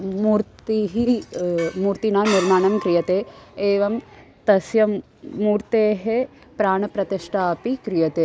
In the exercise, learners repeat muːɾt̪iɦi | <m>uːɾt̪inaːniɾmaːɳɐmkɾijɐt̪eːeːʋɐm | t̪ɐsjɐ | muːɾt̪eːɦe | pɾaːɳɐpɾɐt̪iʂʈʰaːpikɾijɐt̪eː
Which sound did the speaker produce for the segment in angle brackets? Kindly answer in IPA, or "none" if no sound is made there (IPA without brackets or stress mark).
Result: m